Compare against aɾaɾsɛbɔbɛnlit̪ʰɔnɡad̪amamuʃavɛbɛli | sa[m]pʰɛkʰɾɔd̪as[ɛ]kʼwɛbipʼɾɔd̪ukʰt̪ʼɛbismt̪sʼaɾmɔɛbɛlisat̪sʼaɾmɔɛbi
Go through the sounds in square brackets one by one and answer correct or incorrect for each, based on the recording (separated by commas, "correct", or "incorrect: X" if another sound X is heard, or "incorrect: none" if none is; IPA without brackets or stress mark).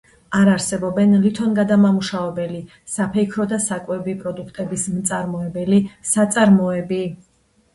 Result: incorrect: none, incorrect: a